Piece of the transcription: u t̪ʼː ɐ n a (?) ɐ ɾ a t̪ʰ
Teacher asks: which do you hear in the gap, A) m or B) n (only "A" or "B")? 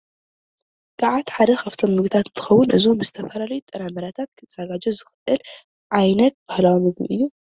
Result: A